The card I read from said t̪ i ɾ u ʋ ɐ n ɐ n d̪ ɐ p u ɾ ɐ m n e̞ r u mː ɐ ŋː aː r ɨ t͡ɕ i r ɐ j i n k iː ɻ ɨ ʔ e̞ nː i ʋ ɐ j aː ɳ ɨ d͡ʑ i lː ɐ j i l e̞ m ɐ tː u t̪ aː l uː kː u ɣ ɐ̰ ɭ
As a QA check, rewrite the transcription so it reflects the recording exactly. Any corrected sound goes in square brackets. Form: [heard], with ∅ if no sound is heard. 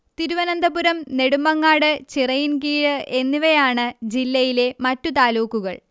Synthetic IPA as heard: t̪ i ɾ u ʋ ɐ n ɐ n d̪ ɐ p u ɾ ɐ m n e̞ [ɽ] u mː ɐ ŋː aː [ɽ] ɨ t͡ɕ i r ɐ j i n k iː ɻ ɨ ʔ e̞ nː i ʋ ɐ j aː ɳ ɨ d͡ʑ i lː ɐ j i l e̞ m ɐ tː u t̪ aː l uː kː u ɣ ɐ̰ ɭ